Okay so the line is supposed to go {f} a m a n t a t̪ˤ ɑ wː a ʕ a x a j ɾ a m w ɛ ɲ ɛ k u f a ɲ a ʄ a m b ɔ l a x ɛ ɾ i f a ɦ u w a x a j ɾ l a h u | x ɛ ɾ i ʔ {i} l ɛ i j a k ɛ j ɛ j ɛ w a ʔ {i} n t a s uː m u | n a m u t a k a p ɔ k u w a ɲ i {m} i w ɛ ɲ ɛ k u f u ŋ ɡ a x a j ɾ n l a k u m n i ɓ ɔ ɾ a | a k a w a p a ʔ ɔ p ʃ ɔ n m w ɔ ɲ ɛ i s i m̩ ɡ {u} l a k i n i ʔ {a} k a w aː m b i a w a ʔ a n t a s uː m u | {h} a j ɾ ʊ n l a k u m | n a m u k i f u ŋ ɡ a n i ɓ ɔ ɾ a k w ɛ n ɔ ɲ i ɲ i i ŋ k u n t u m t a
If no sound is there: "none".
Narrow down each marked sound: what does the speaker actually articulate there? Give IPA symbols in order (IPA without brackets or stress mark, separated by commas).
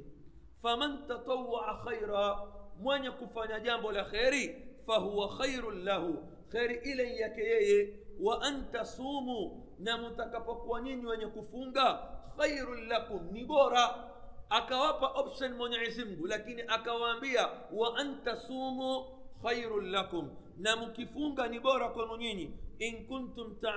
f, i, a, ɲ, u, a, x